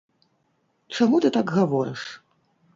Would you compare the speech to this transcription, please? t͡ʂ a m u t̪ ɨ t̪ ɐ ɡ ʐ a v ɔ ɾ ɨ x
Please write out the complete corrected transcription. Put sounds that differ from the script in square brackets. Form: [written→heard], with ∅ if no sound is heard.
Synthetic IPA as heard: t͡ʂ a m u t̪ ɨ t̪ [ɐ→a] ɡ [ʐ→ɣ] a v ɔ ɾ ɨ [x→ʂ]

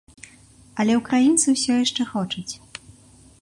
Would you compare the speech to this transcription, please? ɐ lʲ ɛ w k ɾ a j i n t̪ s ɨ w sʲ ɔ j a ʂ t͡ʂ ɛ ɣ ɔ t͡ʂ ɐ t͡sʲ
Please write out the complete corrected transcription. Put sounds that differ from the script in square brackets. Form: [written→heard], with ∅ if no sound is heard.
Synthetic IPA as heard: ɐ lʲ ɛ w k ɾ a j i n t̪ s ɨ w sʲ ɔ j a ʂ t͡ʂ ɛ [ɣ→x] ɔ t͡ʂ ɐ t͡sʲ

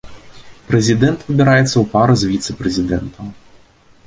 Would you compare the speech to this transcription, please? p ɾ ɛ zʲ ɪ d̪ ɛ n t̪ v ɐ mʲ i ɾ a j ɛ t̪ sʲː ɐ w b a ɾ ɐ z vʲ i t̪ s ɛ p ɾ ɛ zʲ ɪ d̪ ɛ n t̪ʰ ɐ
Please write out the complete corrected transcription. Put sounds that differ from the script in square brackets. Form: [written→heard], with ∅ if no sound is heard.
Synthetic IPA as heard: p ɾ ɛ zʲ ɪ d̪ ɛ n t̪ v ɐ [mʲ→bʲ] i ɾ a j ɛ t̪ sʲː ɐ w [b→p] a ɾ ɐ z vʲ i t̪ s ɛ p ɾ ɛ zʲ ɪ d̪ ɛ n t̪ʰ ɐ

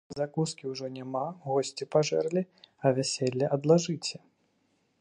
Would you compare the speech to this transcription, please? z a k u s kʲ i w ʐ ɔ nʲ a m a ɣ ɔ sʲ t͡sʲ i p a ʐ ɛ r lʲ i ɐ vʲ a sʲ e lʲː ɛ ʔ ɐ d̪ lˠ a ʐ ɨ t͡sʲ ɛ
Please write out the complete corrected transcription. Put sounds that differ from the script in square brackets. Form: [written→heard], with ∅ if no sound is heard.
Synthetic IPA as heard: z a k u s kʲ i w ʐ ɔ nʲ a m a ɣ ɔ sʲ t͡sʲ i p a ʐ ɛ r lʲ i ɐ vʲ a sʲ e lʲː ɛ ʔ ɐ d̪ lˠ a ʐ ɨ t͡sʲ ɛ

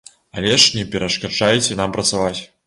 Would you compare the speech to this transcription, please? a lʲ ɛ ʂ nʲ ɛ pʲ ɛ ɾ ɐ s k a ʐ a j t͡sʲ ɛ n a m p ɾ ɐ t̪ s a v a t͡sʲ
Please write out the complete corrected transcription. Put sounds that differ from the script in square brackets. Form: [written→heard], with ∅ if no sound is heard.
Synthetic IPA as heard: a lʲ ɛ ʂ nʲ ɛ pʲ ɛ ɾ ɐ [s→ʂ] k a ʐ a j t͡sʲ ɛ n a m p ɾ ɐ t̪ s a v a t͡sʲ

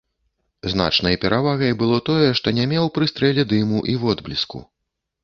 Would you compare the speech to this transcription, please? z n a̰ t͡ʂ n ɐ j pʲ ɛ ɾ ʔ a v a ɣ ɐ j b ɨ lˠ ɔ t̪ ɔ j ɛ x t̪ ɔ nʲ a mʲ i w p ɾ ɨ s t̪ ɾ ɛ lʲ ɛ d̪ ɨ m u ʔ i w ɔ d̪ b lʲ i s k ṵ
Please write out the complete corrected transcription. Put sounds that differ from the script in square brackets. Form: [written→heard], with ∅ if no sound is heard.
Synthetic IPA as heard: z n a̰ t͡ʂ n ɐ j pʲ ɛ ɾ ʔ a v a ɣ ɐ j b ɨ lˠ ɔ t̪ ɔ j ɛ [x→ʂ] t̪ ɔ nʲ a mʲ [i→ɛ] w p ɾ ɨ s t̪ ɾ ɛ lʲ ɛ d̪ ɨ m u ʔ i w ɔ d̪ b lʲ i s k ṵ

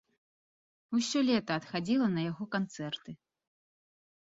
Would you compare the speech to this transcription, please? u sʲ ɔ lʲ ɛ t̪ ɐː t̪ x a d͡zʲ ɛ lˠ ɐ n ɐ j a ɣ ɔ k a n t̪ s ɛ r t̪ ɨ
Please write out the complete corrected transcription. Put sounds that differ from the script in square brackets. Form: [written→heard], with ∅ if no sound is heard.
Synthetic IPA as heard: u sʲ ɔ lʲ ɛ t̪ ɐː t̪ x a d͡zʲ [ɛ→i] lˠ ɐ n ɐ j a ɣ ɔ k a n t̪ s ɛ r t̪ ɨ

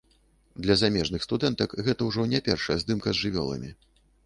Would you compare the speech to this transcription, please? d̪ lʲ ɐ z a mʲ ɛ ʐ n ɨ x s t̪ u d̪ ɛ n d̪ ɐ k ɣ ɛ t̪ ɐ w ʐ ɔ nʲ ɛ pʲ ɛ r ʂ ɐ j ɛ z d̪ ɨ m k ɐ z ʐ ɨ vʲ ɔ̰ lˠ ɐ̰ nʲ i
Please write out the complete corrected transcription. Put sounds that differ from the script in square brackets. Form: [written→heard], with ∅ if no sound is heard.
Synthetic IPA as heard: d̪ lʲ ɐ z a mʲ ɛ ʐ n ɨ x s t̪ u d̪ ɛ n [d̪→t̪] ɐ k ɣ ɛ t̪ ɐ w ʐ ɔ nʲ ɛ pʲ ɛ r ʂ ɐ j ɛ z d̪ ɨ m k ɐ z ʐ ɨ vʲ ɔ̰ lˠ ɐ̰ [nʲ→mʲ] i

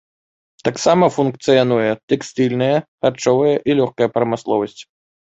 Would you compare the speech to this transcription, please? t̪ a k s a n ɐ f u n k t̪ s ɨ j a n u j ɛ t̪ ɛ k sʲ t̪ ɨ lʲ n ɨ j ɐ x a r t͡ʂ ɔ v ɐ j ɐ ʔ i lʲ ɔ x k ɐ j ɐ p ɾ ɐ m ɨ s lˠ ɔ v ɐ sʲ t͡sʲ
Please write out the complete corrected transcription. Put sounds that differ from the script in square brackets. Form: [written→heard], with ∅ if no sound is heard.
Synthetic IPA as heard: t̪ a k s a [n→m] ɐ f u n k t̪ s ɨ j a n u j ɛ t̪ ɛ k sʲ t̪ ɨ lʲ n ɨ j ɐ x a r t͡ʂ ɔ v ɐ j ɐ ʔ i lʲ ɔ x k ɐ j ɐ p ɾ ɐ m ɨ s lˠ ɔ v ɐ sʲ t͡sʲ

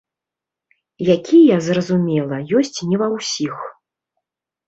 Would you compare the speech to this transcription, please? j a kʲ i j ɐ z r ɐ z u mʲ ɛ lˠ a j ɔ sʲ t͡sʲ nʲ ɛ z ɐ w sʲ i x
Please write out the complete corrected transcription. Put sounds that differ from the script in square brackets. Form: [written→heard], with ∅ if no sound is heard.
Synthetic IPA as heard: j a kʲ i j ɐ z r ɐ z u mʲ ɛ lˠ [a→ɐ] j ɔ sʲ t͡sʲ nʲ ɛ [z→v] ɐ w sʲ i x

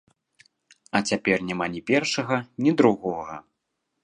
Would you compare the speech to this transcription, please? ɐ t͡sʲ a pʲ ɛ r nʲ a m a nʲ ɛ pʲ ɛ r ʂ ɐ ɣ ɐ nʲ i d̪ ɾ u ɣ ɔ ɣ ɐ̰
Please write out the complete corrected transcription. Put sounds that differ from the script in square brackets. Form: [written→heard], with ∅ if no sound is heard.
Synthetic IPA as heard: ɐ t͡sʲ a pʲ ɛ r nʲ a m a nʲ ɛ pʲ ɛ r ʂ ɐ ɣ ɐ nʲ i d̪ ɾ u ɣ ɔ ɣ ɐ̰

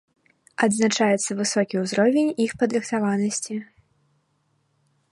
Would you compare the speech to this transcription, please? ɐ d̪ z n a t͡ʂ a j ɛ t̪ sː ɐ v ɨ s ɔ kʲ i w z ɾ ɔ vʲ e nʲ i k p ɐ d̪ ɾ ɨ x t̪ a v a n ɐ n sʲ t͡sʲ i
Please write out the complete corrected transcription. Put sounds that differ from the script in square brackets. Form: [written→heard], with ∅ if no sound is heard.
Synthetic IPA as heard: ɐ d̪ z n a t͡ʂ a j ɛ t̪ sː ɐ v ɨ s ɔ kʲ i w z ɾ ɔ vʲ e nʲ i [k→x] p ɐ d̪ ɾ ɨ x t̪ a v a n ɐ [n→∅] sʲ t͡sʲ i

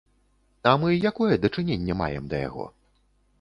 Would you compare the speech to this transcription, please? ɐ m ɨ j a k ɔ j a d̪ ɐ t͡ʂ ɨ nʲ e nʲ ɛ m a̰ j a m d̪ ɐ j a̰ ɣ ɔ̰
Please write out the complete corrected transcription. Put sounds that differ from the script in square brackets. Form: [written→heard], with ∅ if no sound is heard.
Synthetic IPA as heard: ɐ m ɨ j a k ɔ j [a→ɛ] d̪ ɐ t͡ʂ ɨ nʲ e [nʲ→nʲː] ɛ m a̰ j [a→ɛ] m d̪ ɐ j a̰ ɣ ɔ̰

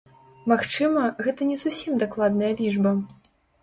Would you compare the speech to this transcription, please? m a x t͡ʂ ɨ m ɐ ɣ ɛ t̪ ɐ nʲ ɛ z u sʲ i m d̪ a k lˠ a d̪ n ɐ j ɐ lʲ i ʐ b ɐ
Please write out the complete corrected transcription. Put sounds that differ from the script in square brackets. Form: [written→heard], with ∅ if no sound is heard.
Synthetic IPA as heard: m a x t͡ʂ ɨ m ɐ ɣ ɛ t̪ ɐ nʲ ɛ z u sʲ i m d̪ a k lˠ a d̪ n ɐ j ɐ lʲ i ʐ b ɐ

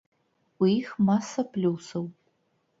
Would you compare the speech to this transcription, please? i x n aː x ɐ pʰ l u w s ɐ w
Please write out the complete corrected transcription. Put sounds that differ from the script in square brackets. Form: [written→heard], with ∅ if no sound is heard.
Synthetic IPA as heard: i x [n→m] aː [x→s] ɐ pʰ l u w s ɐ w

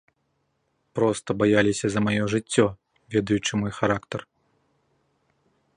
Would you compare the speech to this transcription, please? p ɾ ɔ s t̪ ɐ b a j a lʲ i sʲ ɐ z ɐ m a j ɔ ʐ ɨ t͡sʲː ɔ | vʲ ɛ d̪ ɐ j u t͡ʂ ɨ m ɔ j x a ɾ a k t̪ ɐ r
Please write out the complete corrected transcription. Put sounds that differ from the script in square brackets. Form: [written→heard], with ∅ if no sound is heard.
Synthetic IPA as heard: p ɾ ɔ s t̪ ɐ b a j a lʲ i sʲ ɐ z ɐ m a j ɔ ʐ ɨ t͡sʲː ɔ | vʲ ɛ d̪ ɐ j u t͡ʂ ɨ m ɔ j x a ɾ a k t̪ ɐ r

